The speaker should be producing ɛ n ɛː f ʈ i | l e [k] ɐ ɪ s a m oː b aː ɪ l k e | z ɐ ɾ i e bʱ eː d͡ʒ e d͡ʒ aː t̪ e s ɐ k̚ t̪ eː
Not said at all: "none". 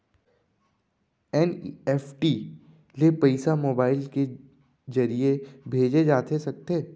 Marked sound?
p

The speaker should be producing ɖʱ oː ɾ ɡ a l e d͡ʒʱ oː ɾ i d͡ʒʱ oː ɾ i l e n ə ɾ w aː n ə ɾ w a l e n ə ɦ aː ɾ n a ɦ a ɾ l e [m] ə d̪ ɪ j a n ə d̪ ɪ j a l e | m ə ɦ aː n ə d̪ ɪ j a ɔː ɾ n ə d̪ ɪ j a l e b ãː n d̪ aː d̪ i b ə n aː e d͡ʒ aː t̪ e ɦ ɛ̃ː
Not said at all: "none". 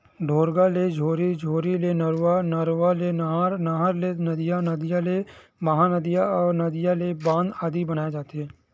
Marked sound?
n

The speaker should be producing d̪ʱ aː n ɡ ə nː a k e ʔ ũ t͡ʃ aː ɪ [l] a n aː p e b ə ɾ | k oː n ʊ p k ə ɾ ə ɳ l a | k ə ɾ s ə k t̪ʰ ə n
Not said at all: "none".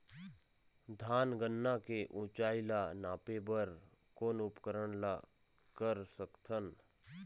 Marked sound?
l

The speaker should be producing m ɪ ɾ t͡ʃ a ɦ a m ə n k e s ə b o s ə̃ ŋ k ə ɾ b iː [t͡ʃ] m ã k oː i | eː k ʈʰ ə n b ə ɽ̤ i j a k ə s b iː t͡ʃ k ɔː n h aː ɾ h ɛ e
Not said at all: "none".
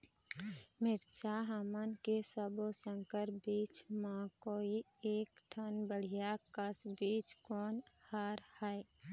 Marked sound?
t͡ʃ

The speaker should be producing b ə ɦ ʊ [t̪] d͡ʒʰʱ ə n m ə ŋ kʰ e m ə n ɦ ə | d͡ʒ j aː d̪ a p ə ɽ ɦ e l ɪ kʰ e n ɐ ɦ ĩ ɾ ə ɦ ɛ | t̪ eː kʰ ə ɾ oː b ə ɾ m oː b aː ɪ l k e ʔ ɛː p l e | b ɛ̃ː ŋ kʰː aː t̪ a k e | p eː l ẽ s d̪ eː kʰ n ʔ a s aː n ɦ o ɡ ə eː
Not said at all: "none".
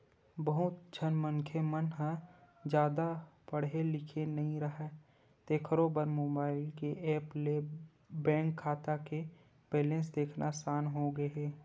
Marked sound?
t̪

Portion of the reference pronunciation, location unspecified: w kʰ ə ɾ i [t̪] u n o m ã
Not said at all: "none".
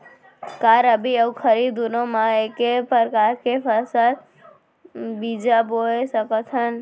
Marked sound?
d̪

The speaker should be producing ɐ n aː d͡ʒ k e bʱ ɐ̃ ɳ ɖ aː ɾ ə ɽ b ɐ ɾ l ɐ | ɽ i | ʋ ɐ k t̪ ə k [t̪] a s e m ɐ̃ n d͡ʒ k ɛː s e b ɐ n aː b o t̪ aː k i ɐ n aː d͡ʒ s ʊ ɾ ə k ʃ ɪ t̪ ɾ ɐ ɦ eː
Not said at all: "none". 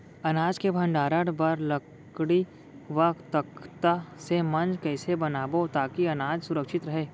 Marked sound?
t̪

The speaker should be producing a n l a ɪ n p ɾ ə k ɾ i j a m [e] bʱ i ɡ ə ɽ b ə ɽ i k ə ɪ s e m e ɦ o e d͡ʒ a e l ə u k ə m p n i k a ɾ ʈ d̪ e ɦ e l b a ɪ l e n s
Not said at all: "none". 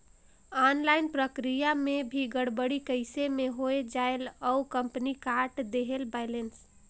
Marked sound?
e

